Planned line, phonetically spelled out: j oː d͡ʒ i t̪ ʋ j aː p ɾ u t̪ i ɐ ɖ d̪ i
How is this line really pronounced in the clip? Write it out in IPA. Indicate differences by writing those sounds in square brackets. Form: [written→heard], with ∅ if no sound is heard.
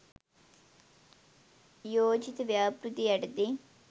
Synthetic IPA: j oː d͡ʒ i t̪ ʋ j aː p ɾ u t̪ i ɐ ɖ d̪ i